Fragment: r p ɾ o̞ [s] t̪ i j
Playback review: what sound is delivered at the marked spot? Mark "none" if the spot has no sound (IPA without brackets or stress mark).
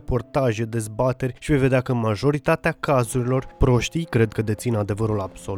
ʃ